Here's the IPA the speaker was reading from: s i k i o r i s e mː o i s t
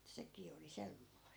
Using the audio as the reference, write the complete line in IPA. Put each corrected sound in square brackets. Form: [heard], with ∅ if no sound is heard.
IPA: s [e] k [iː] o [l] i s e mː o i s t